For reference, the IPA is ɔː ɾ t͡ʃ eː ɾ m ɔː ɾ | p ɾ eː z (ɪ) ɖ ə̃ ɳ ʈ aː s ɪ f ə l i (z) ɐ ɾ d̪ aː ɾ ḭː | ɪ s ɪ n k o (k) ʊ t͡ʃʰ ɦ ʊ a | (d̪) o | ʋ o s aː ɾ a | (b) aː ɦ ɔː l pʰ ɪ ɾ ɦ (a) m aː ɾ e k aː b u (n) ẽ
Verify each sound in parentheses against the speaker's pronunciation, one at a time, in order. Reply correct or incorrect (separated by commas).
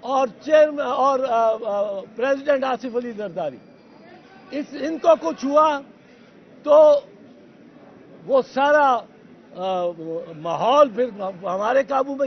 correct, correct, correct, incorrect, incorrect, incorrect, incorrect